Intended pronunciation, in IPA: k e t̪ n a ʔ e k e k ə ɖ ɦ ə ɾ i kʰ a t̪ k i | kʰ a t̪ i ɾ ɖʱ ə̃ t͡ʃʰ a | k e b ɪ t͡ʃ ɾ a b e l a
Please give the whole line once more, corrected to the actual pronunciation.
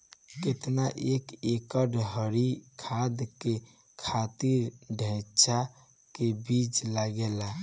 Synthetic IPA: k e t̪ n a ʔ e k e k ə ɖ ɦ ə ɾ i kʰ a d̪ k e | kʰ a t̪ i ɾ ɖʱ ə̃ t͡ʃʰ a | k e b i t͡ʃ l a ɡ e l a